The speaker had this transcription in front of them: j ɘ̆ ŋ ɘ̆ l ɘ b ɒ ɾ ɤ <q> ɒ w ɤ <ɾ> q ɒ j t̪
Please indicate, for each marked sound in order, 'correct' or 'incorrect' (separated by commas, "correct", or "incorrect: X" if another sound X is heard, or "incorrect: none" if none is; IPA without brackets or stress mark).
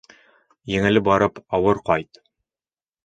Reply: incorrect: p, correct